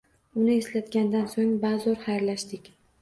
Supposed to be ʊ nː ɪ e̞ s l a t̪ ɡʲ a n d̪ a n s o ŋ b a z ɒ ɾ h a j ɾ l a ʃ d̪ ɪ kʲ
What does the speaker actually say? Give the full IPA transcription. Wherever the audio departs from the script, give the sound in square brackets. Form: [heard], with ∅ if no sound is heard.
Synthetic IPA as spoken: ʊ [n] ɪ e̞ s l a t̪ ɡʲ a n d̪ a n s o ŋ b a z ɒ ɾ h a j ɾ l a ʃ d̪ ɪ kʲ